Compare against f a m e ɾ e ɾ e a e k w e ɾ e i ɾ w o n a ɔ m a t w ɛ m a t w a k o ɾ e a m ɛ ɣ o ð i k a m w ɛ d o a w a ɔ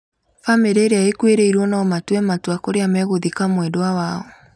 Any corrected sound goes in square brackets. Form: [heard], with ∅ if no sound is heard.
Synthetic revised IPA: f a m e ɾ e ɾ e a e k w e ɾ e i ɾ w [ɔ] n a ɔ m a t w ɛ m a t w a k o ɾ e a m ɛ ɣ o ð i k a m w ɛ d o a w a ɔ